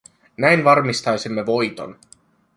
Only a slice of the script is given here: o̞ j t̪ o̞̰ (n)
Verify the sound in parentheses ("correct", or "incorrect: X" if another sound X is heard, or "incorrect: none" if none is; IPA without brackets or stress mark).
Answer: correct